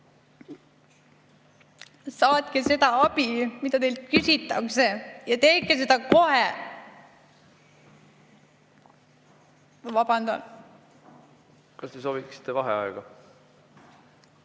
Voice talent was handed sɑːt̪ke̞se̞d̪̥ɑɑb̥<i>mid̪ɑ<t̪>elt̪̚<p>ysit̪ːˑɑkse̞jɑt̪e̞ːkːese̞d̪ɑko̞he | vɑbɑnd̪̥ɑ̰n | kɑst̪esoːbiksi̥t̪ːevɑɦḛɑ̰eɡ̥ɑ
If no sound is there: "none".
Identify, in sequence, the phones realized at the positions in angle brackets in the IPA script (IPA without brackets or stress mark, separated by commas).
i, t̪, k